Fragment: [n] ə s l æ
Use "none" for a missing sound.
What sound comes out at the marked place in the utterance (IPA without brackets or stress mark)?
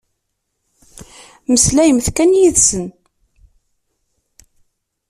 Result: m